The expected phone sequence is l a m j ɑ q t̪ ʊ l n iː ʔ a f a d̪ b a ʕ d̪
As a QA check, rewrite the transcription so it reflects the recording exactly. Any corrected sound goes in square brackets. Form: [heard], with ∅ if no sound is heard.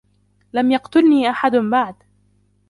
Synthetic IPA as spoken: l a m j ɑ q t̪ ʊ l n iː ʔ a [ħ] a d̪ b a ʕ d̪